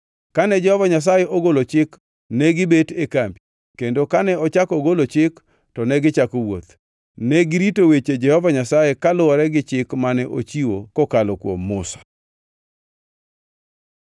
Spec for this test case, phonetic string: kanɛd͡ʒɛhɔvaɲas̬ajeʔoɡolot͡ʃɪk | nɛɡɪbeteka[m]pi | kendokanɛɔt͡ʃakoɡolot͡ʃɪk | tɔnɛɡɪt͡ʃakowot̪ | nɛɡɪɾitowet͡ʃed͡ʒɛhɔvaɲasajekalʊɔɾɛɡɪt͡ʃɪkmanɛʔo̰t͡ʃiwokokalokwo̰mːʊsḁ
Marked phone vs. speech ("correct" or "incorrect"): correct